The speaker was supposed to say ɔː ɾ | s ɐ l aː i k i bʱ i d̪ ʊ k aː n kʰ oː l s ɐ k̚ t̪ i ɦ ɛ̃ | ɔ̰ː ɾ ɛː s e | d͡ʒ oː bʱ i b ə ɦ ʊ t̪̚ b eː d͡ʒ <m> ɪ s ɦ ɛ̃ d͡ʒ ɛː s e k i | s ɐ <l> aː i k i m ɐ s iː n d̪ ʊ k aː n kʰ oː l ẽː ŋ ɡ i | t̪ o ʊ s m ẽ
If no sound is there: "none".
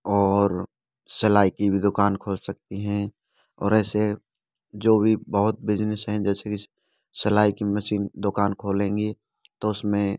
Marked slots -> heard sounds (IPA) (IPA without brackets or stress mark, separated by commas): n, l